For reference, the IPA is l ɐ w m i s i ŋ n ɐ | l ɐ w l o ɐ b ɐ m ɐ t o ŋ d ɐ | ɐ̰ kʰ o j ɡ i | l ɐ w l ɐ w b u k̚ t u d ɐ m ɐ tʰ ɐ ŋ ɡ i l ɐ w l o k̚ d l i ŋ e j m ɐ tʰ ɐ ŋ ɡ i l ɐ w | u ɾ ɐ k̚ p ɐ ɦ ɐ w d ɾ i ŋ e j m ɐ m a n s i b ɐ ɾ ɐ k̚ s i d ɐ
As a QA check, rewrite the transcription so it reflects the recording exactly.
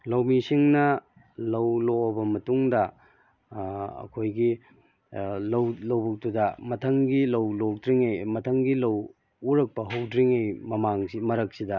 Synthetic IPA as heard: l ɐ w m i s i ŋ n ɐ | l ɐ w l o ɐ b ɐ m ɐ t u ŋ d ɐ | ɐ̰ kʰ o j ɡ i | l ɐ w l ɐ w b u k̚ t u d ɐ m ɐ tʰ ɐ ŋ ɡ i l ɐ w l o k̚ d ɾ i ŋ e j m ɐ tʰ ɐ ŋ ɡ i l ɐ w | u ɾ ɐ k̚ p ɐ ɦ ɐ w d ɾ i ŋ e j m ɐ m a ŋ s i m ɐ ɾ ɐ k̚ s i d ɐ